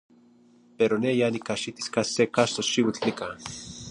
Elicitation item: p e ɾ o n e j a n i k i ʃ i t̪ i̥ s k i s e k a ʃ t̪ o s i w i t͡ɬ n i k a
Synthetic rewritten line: p e ɾ o n e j a n i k a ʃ i t̪ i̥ s k a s e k a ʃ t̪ o ʃ i w i t͡ɬ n i k a